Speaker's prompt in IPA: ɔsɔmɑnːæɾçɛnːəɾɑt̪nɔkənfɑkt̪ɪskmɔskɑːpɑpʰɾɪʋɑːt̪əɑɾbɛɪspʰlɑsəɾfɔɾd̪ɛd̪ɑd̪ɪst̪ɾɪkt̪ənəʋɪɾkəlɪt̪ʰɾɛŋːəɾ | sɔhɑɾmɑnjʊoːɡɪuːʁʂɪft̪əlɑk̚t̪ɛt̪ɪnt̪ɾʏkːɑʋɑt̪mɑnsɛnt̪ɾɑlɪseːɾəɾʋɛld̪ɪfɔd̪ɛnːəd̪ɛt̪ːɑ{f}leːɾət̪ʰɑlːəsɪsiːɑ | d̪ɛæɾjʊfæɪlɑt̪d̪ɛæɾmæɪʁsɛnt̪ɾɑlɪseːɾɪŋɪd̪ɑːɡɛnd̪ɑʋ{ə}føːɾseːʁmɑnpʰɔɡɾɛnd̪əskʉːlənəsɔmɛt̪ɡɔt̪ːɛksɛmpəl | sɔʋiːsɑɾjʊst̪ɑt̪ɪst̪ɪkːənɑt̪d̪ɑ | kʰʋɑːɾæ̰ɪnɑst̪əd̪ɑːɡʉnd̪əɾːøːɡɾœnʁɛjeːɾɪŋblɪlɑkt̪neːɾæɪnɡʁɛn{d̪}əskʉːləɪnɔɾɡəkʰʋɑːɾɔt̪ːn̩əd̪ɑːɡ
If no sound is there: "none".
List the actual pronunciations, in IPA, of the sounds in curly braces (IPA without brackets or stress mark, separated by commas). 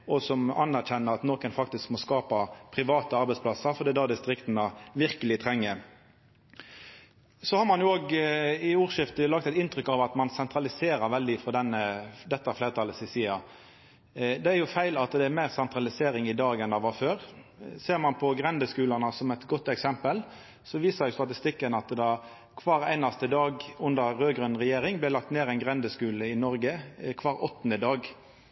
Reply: f, ɑ, d̪